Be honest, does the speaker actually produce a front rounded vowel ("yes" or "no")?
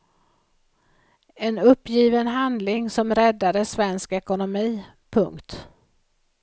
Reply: no